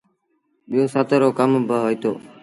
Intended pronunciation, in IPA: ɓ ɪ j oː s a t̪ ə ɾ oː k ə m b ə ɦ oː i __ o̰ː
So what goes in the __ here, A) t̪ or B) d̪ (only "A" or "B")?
A